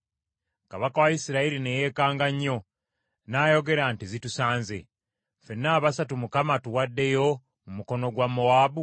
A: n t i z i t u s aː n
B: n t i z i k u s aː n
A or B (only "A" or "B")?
A